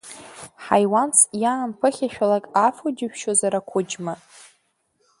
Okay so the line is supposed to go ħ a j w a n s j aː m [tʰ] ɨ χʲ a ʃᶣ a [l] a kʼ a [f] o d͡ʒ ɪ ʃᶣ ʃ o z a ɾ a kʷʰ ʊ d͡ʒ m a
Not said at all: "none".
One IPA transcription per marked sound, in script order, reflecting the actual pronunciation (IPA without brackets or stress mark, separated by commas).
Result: pʰ, l, f